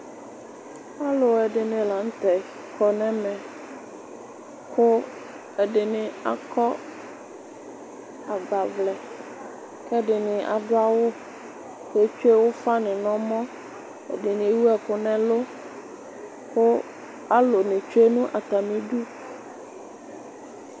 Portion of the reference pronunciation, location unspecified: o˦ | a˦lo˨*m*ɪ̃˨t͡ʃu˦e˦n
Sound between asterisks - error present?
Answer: yes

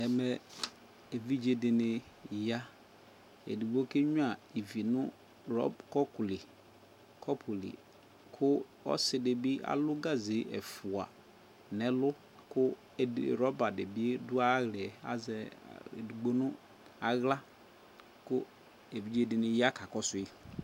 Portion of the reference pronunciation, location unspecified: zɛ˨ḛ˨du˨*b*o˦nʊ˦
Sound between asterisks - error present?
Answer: yes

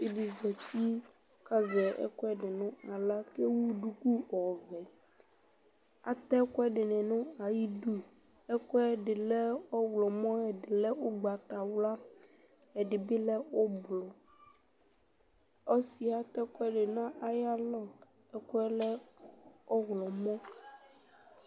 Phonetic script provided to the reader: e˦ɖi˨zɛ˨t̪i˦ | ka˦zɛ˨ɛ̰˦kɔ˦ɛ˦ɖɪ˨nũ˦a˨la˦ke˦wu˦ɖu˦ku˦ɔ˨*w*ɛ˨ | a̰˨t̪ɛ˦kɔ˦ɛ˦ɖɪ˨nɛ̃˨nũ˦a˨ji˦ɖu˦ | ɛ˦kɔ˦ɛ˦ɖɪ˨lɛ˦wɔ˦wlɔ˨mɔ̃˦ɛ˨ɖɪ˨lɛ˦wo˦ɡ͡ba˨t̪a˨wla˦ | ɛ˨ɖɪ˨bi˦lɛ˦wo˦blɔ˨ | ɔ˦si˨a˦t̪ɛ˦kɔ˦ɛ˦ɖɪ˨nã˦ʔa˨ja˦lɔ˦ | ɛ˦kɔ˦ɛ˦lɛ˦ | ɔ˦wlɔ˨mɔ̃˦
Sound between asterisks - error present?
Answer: yes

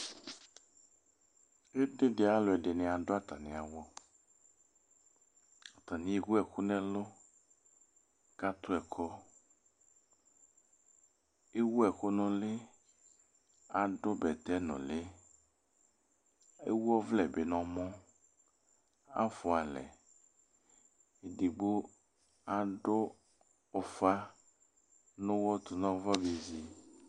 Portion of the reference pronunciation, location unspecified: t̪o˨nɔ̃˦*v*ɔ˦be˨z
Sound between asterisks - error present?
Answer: no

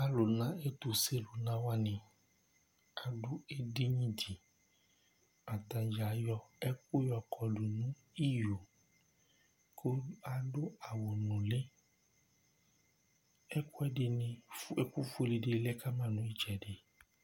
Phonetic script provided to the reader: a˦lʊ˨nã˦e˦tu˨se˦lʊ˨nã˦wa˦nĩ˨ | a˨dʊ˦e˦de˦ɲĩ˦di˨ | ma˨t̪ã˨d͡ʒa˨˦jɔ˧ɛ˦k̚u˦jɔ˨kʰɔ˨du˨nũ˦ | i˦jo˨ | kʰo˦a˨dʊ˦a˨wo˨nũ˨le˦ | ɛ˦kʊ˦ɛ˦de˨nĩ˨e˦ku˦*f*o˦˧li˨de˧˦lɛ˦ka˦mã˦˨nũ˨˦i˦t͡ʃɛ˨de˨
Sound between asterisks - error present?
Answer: no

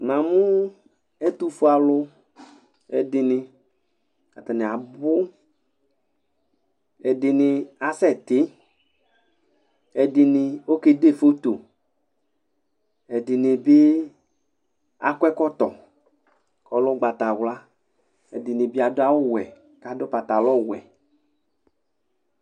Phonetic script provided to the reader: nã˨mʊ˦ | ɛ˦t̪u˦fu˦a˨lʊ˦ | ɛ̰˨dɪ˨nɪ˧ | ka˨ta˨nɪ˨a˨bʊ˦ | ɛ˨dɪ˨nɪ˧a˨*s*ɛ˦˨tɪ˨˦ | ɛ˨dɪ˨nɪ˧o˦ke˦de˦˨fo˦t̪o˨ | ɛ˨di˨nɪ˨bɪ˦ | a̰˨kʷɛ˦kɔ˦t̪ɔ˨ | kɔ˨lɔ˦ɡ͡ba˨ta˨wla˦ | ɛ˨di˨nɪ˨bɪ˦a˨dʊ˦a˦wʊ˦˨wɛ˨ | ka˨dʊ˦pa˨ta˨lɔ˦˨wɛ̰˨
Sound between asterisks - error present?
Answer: no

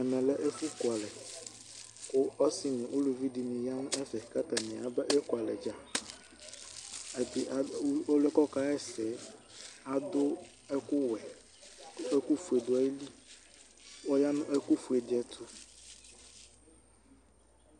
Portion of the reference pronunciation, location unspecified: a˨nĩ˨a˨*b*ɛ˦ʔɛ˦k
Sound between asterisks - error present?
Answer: no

